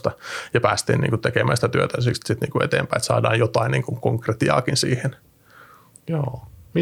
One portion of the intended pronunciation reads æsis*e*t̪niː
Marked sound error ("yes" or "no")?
yes